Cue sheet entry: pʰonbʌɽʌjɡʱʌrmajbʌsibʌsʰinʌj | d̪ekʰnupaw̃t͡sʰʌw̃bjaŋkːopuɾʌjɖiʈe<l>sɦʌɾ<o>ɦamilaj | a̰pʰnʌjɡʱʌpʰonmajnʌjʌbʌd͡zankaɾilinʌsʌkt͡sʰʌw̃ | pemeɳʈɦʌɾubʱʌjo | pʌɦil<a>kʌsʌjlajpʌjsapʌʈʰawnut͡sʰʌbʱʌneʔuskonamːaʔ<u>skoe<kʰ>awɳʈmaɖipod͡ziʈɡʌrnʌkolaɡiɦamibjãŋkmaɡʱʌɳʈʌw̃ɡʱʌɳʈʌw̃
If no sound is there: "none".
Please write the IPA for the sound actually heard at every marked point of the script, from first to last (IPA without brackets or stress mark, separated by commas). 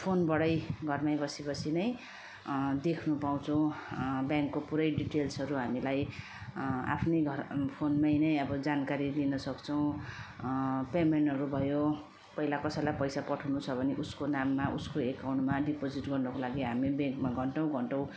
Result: l, u, a, u, k